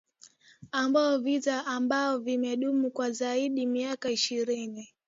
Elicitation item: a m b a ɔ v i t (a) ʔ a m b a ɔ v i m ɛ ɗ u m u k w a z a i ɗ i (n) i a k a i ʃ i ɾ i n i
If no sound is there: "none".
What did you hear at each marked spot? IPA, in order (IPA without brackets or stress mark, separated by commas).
a, m